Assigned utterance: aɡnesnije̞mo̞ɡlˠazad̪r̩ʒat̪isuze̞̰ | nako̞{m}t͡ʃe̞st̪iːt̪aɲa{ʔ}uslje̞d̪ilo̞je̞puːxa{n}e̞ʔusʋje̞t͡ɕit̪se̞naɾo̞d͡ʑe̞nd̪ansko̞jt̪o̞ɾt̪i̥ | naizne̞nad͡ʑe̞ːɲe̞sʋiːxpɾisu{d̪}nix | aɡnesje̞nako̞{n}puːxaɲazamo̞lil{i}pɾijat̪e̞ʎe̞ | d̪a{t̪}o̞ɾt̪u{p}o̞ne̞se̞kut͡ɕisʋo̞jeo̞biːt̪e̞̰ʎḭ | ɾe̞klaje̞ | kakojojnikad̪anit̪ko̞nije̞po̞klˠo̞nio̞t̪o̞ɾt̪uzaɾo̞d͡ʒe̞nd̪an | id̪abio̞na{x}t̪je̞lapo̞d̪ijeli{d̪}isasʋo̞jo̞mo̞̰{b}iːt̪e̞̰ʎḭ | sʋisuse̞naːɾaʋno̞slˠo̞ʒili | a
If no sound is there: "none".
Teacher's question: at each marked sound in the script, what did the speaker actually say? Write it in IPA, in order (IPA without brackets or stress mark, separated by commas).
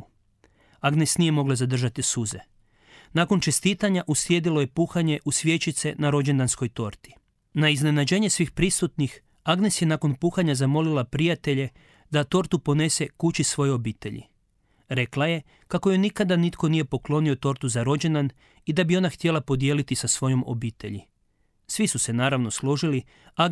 n, ʔ, ɲ, t̪, n, a, t̪, p, x, t̪, b